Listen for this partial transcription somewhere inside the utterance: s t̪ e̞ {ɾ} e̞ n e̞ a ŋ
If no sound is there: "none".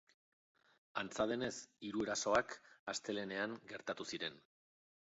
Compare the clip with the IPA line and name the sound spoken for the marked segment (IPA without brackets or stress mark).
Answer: l